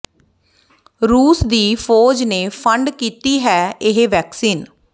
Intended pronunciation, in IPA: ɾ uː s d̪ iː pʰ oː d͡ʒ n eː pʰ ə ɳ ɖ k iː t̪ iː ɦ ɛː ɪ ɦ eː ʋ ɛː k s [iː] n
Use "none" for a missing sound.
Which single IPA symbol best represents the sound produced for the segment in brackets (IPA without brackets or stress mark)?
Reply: iː